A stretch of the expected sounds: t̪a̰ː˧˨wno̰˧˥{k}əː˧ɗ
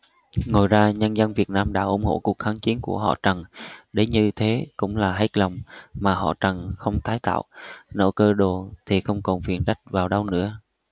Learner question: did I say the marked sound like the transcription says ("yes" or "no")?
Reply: yes